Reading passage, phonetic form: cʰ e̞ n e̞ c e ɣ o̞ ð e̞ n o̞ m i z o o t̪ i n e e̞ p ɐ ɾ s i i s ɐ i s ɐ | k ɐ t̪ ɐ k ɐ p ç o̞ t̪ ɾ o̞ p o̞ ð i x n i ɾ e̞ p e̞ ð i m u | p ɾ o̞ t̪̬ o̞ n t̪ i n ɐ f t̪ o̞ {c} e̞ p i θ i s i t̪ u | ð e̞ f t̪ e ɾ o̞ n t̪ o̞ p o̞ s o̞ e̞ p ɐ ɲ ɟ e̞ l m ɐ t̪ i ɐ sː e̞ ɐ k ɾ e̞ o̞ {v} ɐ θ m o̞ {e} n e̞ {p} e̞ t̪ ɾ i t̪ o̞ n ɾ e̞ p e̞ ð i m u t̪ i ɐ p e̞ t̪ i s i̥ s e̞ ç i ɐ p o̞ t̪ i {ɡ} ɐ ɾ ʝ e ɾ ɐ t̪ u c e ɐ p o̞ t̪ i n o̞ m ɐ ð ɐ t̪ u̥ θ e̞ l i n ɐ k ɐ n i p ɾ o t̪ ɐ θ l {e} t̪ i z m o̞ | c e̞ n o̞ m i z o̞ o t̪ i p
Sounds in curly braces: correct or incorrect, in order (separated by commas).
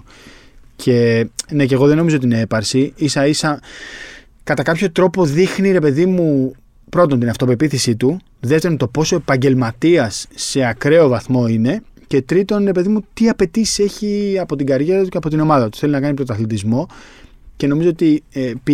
incorrect, correct, incorrect, incorrect, correct, incorrect